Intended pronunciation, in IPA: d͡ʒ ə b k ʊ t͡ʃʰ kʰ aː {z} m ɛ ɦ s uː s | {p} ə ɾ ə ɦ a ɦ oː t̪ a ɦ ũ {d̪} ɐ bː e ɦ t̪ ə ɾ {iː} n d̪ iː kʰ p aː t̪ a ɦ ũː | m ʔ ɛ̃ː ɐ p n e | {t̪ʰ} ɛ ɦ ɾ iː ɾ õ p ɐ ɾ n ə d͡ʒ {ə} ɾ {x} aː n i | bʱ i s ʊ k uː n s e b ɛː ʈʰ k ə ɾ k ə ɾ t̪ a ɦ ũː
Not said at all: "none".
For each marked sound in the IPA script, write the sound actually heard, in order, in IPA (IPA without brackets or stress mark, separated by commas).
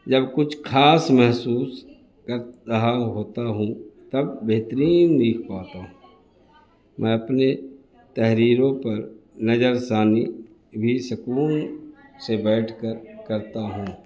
s, k, t̪, iː, t̪, ə, s